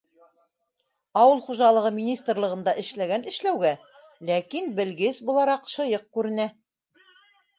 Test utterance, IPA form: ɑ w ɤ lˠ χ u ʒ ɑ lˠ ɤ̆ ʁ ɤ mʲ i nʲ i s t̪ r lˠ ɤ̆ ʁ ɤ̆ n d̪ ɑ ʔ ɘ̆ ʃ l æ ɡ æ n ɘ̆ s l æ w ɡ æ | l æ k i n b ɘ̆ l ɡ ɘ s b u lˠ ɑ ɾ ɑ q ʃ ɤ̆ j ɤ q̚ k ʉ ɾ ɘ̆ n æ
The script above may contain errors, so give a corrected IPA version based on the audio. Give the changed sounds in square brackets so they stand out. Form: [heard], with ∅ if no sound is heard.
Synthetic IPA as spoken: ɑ w ɤ lˠ χ u ʒ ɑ lˠ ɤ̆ ʁ ɤ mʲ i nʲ i s t̪ r lˠ ɤ̆ ʁ ɤ̆ n d̪ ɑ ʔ ɘ̆ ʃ l æ ɡ æ n ɘ̆ [ʃ] l æ w ɡ æ | l æ k i n b ɘ̆ l ɡ ɘ s b u lˠ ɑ ɾ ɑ q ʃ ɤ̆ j ɤ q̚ k ʉ ɾ ɘ̆ n æ